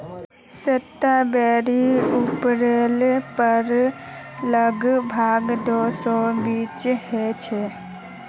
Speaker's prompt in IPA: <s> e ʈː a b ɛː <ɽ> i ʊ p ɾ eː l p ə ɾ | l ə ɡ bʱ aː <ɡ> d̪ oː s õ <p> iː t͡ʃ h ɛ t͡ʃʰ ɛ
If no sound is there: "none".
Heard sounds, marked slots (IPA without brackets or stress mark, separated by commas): s, ɾ, ɡ, b